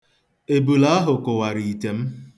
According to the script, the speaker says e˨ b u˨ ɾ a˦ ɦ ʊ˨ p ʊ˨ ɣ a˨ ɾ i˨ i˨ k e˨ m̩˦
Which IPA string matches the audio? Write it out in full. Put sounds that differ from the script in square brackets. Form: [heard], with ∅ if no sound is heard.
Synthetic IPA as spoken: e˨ b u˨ [l] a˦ ɦ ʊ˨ [k] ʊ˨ [w] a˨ ɾ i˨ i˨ [t] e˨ m̩˦